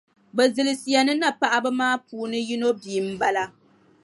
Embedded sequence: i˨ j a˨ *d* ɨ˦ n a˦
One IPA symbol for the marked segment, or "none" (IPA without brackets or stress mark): n